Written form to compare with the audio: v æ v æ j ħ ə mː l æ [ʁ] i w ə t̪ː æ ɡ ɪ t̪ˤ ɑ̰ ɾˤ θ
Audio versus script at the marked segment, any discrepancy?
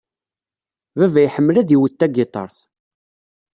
yes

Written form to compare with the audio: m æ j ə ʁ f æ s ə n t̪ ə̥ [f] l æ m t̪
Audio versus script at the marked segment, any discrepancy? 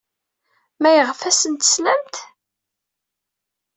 yes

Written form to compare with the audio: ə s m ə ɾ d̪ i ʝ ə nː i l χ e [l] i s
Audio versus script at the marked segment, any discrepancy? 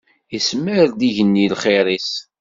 yes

